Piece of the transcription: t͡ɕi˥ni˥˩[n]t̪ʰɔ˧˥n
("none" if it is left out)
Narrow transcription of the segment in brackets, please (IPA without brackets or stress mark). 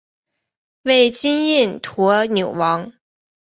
n